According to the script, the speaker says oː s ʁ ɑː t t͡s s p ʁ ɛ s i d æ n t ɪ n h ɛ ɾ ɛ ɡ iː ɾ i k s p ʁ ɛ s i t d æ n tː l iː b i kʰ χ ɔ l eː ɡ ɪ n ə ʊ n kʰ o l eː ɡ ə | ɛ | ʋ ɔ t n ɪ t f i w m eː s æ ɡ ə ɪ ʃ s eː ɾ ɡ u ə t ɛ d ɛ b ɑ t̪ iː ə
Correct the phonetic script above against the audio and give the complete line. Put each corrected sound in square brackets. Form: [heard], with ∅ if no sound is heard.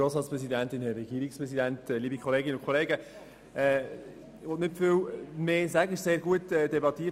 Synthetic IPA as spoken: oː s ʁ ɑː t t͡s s p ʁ ɛ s i d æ n t ɪ n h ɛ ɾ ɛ ɡ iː ɾ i k s p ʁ ɛ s i [∅] d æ n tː l iː b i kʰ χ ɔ l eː ɡ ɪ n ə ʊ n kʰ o l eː ɡ ə | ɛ | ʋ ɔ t n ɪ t f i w m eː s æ ɡ ə ɪ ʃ s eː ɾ ɡ u ə t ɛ d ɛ b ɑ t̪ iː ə